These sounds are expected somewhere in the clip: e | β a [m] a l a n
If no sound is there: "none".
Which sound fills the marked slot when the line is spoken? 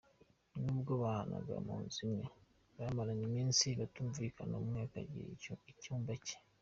m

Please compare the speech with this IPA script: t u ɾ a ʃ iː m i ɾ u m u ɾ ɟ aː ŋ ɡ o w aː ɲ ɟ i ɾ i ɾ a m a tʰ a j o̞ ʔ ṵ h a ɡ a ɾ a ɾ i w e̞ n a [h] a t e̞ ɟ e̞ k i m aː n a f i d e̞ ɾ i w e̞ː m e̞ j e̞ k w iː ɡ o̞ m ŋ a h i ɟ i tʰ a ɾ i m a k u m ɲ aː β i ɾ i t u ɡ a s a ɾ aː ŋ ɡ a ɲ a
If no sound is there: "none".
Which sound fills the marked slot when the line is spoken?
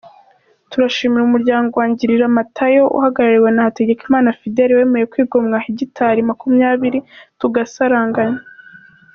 h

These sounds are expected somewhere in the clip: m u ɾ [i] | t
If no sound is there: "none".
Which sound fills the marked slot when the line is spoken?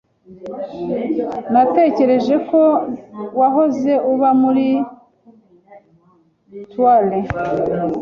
i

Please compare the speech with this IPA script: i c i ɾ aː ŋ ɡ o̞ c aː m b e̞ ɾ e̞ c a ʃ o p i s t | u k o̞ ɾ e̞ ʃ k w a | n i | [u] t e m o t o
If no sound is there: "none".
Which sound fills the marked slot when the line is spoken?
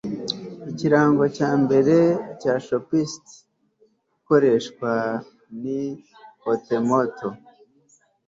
o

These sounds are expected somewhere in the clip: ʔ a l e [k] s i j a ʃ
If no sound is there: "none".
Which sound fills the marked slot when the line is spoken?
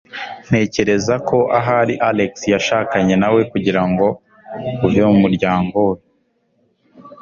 k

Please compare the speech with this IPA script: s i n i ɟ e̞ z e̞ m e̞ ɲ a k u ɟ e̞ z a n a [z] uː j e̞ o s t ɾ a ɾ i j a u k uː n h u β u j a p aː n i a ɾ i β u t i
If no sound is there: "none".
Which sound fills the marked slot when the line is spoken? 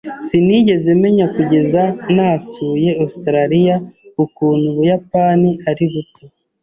s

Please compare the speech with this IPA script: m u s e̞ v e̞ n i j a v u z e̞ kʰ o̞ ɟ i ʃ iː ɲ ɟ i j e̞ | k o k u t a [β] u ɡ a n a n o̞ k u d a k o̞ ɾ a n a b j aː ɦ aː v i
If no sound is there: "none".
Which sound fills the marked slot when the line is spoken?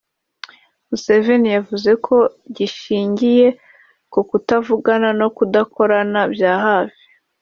v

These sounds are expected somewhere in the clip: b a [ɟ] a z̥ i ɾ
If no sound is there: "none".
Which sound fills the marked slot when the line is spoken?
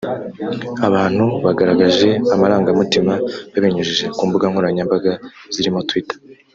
ɡ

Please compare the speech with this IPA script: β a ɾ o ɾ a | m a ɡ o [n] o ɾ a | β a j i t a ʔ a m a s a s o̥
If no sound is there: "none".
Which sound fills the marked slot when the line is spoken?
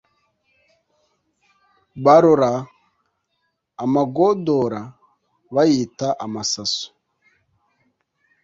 d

